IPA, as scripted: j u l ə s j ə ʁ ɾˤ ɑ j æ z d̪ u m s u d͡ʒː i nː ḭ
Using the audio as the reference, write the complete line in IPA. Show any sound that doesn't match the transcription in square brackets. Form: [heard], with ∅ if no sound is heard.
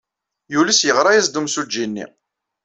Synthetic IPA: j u l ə s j ə ʁ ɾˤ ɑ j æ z d̪ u m s u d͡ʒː i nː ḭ